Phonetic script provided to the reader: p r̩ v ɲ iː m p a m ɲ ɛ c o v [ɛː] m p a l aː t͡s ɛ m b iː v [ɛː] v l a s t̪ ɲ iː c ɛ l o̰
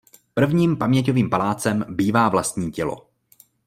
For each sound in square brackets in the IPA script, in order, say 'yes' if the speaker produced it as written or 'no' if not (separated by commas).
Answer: no, no